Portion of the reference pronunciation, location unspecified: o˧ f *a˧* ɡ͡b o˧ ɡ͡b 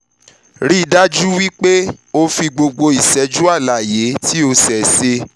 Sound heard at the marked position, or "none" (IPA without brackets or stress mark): i˧